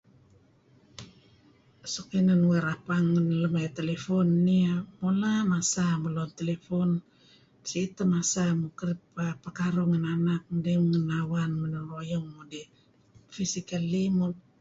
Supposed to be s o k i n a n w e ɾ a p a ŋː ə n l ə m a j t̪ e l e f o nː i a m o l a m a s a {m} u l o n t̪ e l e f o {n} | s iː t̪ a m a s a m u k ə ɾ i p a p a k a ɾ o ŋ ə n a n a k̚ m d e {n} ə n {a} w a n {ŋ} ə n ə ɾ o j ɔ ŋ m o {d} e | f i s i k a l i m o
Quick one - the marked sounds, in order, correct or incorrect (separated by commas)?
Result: correct, correct, incorrect, correct, incorrect, correct